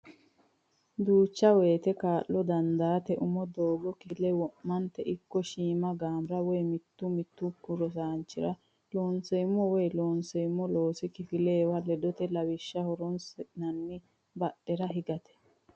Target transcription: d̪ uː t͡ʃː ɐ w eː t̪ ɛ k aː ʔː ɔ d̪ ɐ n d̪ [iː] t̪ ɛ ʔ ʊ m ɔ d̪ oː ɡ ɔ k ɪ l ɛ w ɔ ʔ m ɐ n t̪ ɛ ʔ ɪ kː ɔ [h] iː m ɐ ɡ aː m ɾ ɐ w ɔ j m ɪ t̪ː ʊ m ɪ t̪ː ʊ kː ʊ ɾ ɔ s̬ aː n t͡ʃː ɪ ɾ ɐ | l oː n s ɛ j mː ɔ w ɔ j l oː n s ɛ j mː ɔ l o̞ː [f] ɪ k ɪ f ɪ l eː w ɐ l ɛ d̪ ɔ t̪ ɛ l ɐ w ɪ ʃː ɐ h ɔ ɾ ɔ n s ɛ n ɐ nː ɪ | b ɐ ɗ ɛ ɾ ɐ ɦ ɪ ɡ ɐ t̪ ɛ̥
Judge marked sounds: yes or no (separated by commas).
no, no, no